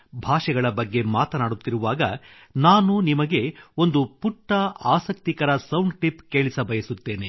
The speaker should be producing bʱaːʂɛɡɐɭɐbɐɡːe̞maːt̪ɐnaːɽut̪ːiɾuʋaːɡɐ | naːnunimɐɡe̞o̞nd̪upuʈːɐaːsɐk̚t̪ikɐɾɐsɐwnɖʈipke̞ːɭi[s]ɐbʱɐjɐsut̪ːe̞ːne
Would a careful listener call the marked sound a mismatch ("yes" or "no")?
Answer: no